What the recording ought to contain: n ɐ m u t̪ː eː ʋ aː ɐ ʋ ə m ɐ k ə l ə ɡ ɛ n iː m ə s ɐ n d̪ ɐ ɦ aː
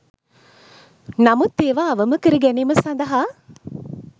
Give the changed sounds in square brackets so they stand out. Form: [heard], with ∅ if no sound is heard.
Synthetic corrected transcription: n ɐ m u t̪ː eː ʋ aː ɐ ʋ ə m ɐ k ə [ɾ] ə ɡ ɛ n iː m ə s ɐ n d̪ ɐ ɦ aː